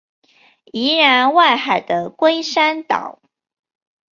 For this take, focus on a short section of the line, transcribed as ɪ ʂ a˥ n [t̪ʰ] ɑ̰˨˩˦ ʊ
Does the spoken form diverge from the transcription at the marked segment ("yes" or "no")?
yes